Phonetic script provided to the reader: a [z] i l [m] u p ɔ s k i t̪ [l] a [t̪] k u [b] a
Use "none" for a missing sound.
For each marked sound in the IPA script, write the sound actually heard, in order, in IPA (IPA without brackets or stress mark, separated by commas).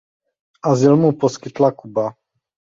z, m, l, none, b